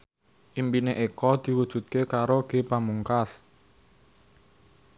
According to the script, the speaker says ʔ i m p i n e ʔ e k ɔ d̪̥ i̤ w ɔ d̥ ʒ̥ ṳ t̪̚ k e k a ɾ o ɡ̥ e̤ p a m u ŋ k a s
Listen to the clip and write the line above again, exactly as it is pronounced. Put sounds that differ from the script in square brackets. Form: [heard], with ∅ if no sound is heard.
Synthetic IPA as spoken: ʔ i m p i n e ʔ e k ɔ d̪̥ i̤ w [u] d̥ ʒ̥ ṳ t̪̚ k e k a ɾ o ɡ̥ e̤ p a m u ŋ k a s